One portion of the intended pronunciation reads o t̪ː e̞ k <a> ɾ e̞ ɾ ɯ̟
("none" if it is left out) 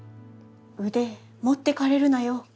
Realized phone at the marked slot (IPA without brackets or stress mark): a